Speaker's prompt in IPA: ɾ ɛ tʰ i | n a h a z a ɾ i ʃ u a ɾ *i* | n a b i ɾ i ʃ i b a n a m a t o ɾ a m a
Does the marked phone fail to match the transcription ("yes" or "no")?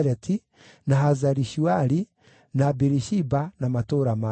no